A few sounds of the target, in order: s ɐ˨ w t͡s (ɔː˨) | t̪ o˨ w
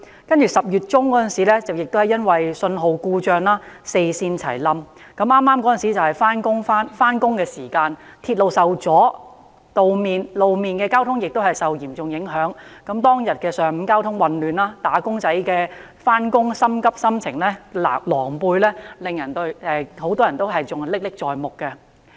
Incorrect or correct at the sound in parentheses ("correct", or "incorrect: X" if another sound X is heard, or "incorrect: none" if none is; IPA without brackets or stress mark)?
incorrect: ɔː˨˥